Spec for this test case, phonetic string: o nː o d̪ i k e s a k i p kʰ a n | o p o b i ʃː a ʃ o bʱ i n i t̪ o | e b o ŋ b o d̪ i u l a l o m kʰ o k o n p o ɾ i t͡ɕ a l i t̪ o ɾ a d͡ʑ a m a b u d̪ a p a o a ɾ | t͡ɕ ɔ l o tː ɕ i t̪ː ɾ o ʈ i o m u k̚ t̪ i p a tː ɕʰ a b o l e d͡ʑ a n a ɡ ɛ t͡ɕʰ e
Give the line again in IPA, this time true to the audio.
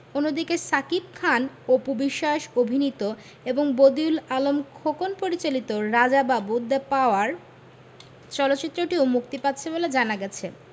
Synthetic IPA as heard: o nː o d̪ i k e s a k i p kʰ a n | o p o b i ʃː a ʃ o bʱ i n i t̪ o | e b o ŋ b o d̪ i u l a l o m kʰ o k o n p o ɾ i t͡ɕ a l i t̪ o ɾ a d͡ʑ a b a b u d̪ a p a o a ɾ | t͡ɕ ɔ l o tː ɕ i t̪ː ɾ o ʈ i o m u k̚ t̪ i p a tː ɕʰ e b o l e d͡ʑ a n a ɡ ɛ t͡ɕʰ e